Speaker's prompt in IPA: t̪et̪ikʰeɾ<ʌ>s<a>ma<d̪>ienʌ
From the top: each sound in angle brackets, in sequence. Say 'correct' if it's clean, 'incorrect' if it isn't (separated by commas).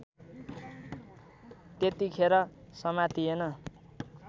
correct, incorrect, incorrect